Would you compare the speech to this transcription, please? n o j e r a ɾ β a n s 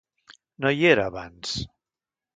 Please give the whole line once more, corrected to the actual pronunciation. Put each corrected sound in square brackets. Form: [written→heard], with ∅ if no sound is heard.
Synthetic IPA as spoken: n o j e [r→ɾ] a [ɾ→∅] β a n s